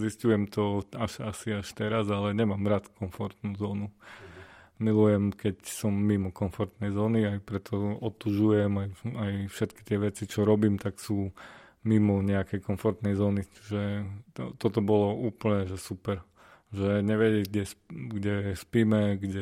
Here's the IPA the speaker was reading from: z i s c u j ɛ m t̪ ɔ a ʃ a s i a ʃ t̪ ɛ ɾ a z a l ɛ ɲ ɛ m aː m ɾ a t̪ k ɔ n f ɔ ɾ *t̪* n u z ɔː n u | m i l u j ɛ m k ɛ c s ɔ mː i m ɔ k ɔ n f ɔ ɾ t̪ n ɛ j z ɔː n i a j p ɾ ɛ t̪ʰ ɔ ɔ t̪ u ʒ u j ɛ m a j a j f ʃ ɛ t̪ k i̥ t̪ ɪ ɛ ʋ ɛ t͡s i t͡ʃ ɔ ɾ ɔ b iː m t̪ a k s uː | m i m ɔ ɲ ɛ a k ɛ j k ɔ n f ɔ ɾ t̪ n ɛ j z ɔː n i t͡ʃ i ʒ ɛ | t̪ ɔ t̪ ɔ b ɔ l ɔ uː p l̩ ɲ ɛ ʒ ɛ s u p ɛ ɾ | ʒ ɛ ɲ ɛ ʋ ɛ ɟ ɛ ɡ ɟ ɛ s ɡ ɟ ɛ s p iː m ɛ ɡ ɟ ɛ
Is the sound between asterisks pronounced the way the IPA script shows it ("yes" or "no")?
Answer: yes